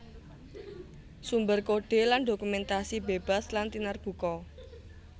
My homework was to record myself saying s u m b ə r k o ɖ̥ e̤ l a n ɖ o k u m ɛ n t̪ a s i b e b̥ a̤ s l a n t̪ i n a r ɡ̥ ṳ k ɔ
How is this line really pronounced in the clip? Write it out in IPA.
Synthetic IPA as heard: s u m b ə r k o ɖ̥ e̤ l a n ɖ o k u m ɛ n t̪ a s i b e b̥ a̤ s l a n t̪ i n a r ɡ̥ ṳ k ɔ